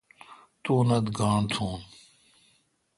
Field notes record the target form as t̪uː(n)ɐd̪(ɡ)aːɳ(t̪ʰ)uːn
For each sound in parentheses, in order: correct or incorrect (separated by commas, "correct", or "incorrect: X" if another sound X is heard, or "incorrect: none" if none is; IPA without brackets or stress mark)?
correct, correct, correct